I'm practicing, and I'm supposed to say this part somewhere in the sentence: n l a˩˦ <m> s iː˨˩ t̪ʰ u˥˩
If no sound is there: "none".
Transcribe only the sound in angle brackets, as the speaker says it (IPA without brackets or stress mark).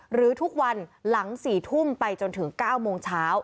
ŋ